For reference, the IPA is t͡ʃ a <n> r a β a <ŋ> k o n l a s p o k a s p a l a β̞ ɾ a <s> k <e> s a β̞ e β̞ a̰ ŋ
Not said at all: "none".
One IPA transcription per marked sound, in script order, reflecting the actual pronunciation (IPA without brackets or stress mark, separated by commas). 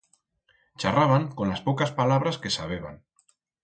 none, ŋ, s, e